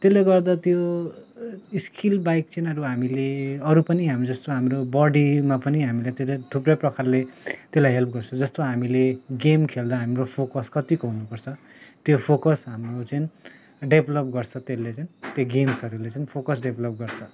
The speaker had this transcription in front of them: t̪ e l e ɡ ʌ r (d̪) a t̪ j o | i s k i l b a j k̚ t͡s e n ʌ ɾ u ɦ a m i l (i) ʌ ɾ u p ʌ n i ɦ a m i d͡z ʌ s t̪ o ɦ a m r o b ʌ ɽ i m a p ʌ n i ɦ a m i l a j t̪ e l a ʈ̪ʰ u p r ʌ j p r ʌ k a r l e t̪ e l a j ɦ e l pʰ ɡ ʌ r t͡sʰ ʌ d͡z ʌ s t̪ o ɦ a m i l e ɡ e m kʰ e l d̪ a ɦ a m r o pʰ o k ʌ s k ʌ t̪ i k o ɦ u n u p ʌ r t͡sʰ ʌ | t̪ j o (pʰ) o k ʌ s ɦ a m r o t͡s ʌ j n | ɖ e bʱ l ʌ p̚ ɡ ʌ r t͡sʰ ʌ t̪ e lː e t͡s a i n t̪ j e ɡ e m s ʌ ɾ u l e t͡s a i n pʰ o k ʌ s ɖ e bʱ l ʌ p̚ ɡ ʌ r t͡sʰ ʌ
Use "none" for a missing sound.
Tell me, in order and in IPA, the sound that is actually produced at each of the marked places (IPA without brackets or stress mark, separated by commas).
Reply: d̪, e, pʰ